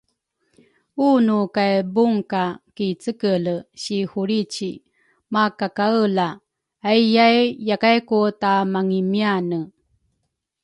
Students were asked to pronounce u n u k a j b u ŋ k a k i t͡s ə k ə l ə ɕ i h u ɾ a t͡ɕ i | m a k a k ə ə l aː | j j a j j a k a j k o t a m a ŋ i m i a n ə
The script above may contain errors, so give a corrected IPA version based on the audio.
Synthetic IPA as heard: u n u k a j b u ŋ k a k i t͡s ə k ə l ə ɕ i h u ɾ i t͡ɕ i | m a k a k a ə l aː | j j a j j a k a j k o t a m a ŋ i m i a n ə